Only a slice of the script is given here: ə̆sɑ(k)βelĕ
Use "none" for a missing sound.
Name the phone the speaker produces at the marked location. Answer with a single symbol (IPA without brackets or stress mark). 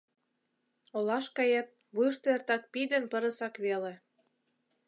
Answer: k